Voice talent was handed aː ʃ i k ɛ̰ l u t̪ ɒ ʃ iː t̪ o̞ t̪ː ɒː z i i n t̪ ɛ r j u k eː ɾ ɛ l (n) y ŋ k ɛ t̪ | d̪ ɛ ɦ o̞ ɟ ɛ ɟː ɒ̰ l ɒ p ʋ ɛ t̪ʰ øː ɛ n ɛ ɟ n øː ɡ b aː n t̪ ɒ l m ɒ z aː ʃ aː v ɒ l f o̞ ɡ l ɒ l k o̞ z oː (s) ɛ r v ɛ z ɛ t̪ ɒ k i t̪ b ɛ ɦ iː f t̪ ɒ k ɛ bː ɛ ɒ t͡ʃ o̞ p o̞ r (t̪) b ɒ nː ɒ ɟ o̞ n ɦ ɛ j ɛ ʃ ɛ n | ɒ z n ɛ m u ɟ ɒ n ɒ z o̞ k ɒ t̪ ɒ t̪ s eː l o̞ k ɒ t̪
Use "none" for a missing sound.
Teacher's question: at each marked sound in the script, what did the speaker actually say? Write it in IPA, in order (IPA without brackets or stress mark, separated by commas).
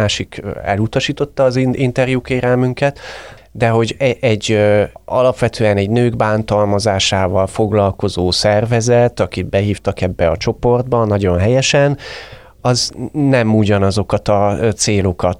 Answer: m, s, d̪